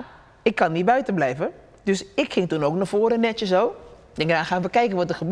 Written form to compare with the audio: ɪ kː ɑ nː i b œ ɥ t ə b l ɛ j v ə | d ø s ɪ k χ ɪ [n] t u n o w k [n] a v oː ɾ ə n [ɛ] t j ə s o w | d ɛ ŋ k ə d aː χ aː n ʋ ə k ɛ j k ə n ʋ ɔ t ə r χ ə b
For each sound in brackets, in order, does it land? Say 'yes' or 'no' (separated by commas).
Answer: no, yes, yes